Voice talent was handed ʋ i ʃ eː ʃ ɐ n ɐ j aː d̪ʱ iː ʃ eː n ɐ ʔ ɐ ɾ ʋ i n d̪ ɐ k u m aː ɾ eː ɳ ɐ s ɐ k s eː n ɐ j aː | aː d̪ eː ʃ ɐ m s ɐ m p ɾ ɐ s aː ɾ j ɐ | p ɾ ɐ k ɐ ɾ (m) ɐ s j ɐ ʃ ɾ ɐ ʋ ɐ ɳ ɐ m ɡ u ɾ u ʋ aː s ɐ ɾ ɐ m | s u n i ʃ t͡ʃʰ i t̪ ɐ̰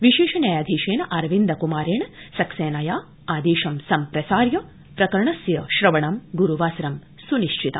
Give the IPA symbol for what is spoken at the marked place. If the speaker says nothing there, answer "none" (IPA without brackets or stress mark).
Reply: ɳ